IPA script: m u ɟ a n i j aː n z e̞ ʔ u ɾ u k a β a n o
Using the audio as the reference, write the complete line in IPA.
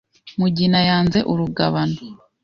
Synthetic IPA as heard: m u ɟ i n a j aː n z e̞ ʔ u ɾ u ɡ a β a n o